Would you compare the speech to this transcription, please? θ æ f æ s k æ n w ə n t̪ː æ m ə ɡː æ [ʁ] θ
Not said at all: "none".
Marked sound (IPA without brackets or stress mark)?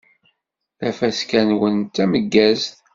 z